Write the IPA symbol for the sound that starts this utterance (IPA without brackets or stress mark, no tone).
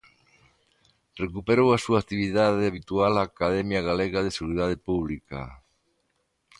r